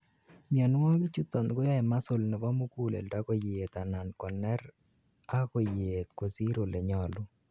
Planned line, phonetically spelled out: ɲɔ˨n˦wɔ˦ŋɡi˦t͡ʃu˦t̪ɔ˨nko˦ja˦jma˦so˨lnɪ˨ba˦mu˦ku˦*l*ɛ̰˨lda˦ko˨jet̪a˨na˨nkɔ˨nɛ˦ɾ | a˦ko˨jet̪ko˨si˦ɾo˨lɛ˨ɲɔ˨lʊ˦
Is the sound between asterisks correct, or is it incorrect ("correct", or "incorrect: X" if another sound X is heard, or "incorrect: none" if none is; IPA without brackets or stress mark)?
correct